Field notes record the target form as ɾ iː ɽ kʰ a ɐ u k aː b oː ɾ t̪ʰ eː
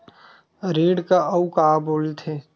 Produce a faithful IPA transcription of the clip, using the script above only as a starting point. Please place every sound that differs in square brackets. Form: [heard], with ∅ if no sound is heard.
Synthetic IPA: ɾ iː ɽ [k] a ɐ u k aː b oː [l] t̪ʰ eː